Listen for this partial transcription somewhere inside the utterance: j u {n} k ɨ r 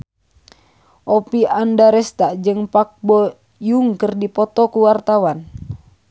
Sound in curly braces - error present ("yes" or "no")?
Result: yes